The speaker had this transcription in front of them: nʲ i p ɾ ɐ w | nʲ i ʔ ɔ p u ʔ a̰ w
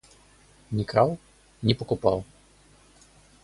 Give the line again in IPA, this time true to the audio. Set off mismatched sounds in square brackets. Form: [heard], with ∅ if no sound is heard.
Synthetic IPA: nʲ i [k] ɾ [a] w | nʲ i [p] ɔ [k] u [p] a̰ w